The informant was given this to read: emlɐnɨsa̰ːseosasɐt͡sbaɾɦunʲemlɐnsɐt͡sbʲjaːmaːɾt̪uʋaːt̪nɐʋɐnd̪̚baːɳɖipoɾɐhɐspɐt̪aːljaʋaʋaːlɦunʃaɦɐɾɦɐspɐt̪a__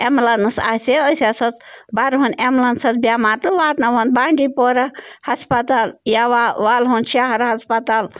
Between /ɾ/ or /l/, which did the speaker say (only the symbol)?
l